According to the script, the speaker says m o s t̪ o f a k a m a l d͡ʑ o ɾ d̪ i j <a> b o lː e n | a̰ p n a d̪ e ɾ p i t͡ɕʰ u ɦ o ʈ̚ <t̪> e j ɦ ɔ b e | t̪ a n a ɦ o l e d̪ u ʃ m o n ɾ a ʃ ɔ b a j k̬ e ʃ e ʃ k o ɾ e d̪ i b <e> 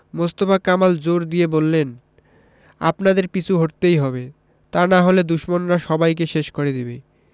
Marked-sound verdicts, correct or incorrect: incorrect: e, correct, correct

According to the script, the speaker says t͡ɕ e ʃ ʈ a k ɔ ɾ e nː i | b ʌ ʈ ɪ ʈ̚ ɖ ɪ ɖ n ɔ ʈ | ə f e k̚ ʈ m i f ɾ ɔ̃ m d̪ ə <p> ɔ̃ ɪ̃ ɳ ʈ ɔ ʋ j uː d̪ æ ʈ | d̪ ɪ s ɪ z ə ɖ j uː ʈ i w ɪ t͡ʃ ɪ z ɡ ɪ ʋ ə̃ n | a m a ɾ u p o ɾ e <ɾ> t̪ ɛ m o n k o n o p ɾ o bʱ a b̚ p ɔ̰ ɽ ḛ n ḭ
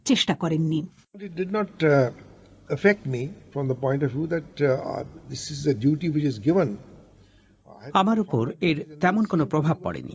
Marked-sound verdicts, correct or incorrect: correct, correct

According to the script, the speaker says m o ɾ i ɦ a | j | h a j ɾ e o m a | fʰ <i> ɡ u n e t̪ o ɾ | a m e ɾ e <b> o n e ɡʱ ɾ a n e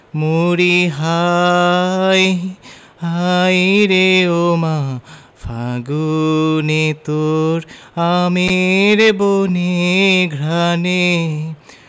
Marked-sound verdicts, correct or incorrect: incorrect: a, correct

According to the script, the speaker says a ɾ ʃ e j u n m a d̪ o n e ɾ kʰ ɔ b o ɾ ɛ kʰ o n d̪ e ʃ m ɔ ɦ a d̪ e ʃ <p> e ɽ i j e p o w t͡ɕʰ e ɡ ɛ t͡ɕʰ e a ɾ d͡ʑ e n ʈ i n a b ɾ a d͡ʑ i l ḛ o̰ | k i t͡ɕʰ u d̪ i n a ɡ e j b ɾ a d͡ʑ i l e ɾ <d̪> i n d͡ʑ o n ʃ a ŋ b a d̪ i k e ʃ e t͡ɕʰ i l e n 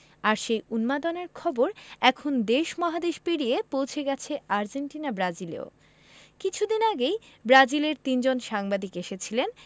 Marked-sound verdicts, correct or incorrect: correct, incorrect: t̪

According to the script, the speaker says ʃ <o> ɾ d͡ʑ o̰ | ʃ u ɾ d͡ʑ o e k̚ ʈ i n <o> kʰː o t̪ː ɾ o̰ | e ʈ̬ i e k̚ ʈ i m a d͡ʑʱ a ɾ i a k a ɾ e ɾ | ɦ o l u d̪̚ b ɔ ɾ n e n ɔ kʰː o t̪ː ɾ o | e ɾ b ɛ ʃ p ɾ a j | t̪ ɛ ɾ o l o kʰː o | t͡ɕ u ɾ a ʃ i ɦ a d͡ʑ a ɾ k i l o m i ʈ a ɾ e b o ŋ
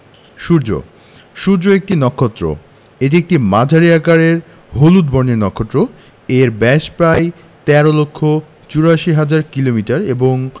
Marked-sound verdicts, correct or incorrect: incorrect: u, incorrect: ɔ

